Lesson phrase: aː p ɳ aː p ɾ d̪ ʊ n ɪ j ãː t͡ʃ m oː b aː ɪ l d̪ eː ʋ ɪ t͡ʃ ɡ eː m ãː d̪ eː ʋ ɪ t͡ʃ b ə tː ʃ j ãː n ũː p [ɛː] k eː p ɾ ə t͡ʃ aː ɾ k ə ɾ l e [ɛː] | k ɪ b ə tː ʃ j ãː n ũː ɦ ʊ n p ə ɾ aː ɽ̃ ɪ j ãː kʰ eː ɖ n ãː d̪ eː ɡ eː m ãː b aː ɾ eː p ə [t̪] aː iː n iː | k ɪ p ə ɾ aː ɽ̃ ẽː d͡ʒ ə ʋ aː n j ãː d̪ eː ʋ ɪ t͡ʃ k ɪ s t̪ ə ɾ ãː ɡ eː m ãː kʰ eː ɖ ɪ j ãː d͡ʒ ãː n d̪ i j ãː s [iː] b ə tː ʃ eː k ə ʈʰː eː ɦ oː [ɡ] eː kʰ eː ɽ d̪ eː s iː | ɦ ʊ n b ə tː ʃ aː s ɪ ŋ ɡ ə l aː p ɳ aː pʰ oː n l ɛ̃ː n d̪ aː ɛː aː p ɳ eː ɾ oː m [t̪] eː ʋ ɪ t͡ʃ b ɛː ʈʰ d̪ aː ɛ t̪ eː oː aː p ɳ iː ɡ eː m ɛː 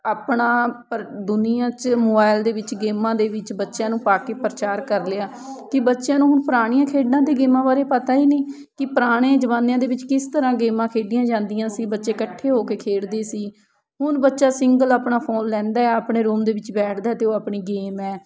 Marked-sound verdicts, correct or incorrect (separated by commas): incorrect, incorrect, correct, correct, incorrect, incorrect